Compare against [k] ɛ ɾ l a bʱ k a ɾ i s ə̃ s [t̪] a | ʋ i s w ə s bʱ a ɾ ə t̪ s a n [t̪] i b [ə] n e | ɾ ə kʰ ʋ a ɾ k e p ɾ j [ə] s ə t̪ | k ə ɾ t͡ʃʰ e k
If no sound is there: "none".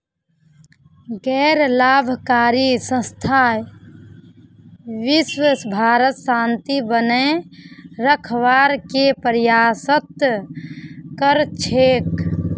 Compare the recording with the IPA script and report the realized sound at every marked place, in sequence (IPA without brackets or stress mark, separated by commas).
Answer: ɡ, t̪ʰ, t̪, ə, a